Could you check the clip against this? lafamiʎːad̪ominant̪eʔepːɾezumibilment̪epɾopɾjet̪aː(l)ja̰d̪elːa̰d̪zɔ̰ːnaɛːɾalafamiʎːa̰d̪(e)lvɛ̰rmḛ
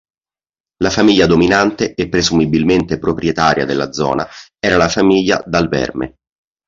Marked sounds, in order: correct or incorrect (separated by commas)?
incorrect, incorrect